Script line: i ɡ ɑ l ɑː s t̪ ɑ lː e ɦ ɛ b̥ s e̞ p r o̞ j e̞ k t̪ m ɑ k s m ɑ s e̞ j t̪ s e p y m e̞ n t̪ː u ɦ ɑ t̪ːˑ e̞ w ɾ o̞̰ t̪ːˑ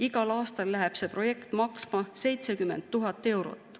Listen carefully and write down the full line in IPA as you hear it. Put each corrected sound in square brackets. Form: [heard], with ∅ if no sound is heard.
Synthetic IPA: i ɡ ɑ l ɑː s t̪ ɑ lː [æ] ɦ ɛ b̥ s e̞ p r o̞ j e̞ k t̪ m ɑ k s m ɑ s e̞ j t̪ s e [k] y m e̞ n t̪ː u ɦ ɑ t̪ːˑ e̞ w ɾ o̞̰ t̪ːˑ

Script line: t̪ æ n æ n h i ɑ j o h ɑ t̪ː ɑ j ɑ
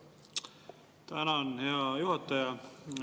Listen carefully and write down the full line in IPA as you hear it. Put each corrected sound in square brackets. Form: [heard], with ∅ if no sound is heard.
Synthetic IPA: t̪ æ n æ n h [e] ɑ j [u] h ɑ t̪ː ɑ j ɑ

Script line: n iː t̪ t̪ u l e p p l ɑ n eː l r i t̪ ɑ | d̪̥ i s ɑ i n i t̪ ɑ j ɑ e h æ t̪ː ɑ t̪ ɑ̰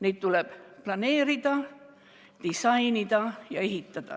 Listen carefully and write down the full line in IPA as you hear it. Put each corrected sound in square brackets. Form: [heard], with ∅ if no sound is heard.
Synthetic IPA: n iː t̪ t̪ u l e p p l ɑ n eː [∅] r i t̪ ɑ | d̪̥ i s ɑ i n i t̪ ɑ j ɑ e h [i] t̪ː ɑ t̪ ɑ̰

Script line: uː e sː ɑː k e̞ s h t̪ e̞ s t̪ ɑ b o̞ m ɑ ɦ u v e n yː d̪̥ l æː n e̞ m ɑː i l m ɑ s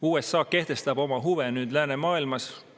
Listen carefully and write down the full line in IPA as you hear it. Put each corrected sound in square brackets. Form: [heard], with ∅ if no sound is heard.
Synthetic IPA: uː e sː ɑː k e̞ [∅] h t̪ e̞ s t̪ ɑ b o̞ m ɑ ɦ u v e n yː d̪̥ l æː n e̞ m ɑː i l m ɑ s

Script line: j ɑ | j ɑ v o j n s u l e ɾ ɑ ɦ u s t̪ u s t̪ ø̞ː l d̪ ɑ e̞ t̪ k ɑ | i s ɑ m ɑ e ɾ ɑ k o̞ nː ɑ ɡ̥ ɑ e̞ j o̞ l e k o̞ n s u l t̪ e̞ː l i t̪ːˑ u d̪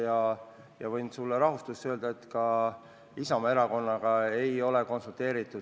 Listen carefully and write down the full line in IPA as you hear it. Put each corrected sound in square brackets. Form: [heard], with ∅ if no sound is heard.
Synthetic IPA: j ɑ | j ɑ v [ɤ] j n s u [lː] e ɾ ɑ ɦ u s t̪ u s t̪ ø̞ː l d̪ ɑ e̞ t̪ k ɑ | i s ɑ m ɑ e ɾ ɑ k o̞ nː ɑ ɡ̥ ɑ e̞ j o̞ l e k o̞ n s u l t̪ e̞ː [ɾ] i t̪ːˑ u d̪

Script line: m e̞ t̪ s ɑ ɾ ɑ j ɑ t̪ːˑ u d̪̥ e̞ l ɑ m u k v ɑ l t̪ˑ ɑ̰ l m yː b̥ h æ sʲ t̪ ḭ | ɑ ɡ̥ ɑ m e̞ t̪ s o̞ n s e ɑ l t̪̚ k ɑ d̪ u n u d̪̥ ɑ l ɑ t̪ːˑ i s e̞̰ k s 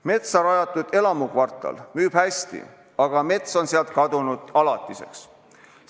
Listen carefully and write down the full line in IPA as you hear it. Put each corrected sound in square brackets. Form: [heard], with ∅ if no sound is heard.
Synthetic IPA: m e̞ t̪ s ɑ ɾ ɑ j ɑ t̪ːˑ u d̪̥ e̞ l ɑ m u k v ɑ [r] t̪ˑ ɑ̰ l m yː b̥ h æ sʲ t̪ ḭ | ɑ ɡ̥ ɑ m e̞ t̪ s o̞ n s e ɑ l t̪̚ k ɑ d̪ u n u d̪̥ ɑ l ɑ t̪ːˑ i s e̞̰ k s

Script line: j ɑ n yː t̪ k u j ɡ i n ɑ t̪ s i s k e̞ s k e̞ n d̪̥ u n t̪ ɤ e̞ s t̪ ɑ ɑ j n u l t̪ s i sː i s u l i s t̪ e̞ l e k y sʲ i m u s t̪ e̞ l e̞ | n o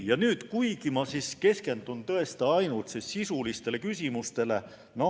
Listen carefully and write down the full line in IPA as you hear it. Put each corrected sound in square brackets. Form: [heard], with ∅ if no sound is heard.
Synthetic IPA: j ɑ n yː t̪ k u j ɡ i [m] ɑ [∅] s i s k e̞ s k e̞ n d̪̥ u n t̪ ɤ e̞ s t̪ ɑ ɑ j n u l t̪ s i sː i s u l i s t̪ e̞ l e k y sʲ i m u s t̪ e̞ l e̞ | n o

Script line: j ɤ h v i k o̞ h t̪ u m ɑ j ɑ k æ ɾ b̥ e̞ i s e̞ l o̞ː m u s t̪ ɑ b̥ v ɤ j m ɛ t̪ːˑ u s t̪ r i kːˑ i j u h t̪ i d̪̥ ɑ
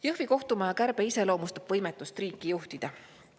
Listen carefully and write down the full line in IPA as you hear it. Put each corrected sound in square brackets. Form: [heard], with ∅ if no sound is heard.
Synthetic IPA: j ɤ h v i k o̞ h t̪ u m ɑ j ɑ k æ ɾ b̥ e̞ i s e̞ l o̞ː m u s t̪ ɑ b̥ v ɤ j m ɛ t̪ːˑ u s t̪ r [iː] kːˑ i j u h t̪ i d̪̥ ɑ

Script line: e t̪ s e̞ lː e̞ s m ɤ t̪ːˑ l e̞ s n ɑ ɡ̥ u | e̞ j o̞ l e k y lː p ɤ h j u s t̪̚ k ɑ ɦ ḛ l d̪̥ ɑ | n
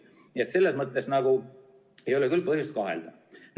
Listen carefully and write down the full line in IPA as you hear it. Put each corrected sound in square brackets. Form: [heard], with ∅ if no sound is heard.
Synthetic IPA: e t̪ s e̞ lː e̞ s m ɤ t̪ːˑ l e̞ s n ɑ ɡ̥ u | e̞ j o̞ l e k y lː p ɤ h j u s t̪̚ k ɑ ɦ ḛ l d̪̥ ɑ | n

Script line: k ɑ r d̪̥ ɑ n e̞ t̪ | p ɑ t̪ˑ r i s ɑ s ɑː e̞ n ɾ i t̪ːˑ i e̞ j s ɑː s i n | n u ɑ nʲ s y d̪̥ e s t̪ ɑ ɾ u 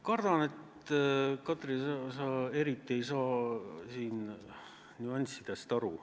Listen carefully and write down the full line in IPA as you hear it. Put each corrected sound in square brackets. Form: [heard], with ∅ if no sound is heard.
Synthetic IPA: k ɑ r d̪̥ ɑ n e̞ t̪ | [k] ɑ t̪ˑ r i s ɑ s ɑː e̞ [∅] ɾ i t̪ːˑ i e̞ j s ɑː s [iː] n | n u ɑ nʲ s [i] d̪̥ e s t̪ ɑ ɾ u

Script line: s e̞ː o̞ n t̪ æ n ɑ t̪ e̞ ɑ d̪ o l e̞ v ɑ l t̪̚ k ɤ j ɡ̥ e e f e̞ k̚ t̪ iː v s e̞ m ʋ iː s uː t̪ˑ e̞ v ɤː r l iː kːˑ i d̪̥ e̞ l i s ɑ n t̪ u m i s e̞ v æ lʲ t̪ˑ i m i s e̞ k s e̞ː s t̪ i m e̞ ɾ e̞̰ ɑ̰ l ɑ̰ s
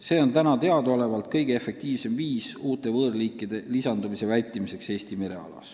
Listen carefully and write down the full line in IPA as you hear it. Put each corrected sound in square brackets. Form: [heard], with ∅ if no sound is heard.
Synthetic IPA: s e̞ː o̞ n t̪ æ n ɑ t̪ e̞ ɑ d̪ o l e̞ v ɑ l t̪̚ k ɤ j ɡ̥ e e f e̞ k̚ t̪ iː v s e̞ m [v] iː s uː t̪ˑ e̞ v ɤː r l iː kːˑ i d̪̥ e̞ l i s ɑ n [d̪] u m i s e̞ v æ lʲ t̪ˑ i m i s e̞ k s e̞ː s t̪ i m e̞ ɾ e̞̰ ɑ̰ l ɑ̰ s

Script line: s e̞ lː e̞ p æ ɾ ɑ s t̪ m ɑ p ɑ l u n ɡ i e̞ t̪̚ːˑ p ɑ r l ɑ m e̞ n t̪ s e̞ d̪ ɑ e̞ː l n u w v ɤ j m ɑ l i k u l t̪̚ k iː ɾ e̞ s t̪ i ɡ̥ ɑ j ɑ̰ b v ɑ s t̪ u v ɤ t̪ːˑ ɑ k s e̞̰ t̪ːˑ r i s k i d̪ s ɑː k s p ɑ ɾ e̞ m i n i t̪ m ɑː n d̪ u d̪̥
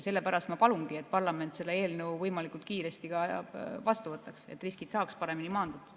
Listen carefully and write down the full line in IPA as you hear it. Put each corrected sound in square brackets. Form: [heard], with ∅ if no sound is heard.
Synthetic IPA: s e̞ lː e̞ p æ ɾ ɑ s t̪ m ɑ p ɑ l u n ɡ i e̞ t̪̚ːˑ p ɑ r l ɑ m e̞ n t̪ s e̞ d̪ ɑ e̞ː l n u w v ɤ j m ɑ l i k u l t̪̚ k iː ɾ e̞ s t̪ i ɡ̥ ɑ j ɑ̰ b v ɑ s t̪ u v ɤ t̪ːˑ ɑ k s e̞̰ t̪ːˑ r i s k i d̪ s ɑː k s p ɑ ɾ e̞ m i n i [∅] m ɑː n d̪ u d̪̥

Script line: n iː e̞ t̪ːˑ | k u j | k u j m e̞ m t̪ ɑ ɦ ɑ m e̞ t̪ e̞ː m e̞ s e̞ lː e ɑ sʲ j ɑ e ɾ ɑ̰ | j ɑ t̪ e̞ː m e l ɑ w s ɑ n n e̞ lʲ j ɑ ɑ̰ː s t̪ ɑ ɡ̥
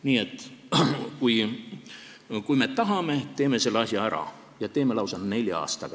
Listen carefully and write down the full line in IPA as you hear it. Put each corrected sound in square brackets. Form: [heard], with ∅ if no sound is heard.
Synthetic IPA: n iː e̞ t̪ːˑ | k u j | k u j m e̞ [∅] t̪ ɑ ɦ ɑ m e̞ t̪ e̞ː m e̞ s e̞ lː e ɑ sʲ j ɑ [æ] ɾ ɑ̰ | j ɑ t̪ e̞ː m e l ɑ w s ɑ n n e̞ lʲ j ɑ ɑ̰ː s t̪ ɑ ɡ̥

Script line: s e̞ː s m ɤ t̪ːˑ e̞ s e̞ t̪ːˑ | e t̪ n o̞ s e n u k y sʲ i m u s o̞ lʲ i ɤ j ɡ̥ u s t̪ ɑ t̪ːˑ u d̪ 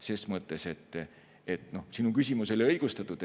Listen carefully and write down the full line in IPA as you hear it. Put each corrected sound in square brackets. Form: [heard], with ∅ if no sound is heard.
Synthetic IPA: s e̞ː s m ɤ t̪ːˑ e̞ s e̞ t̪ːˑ | e t̪ n o̞ s [i] n u k y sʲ i m u s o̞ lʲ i ɤ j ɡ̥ u s t̪ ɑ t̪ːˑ u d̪

